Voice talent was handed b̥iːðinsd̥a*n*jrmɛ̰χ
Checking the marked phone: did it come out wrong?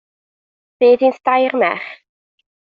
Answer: yes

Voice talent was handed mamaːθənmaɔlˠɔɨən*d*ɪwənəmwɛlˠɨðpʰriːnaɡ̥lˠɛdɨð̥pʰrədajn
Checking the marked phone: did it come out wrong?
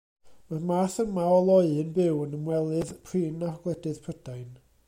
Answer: yes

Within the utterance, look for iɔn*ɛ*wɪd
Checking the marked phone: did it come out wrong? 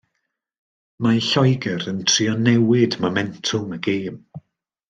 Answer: no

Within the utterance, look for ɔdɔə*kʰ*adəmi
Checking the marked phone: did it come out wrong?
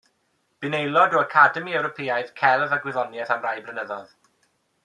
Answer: no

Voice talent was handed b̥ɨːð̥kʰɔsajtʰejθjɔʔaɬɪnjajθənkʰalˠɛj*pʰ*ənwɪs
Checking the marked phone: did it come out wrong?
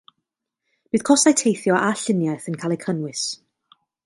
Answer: yes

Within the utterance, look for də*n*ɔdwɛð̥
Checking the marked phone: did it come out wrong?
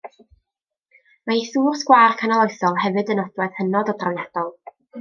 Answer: no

